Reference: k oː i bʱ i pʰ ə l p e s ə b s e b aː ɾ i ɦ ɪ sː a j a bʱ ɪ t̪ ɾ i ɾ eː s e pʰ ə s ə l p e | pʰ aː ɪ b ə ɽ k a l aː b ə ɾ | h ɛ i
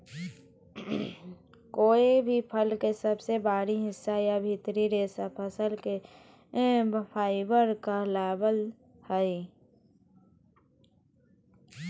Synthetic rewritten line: k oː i bʱ i pʰ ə l k e s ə b s e b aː ɾ i ɦ ɪ sː a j a bʱ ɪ t̪ ɾ i ɾ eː s a pʰ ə s ə l k e | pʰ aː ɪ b ə ɾ k a l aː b ə l | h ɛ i